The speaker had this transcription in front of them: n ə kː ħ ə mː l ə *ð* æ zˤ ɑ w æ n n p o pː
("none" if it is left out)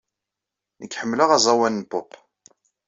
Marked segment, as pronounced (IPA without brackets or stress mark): ʁ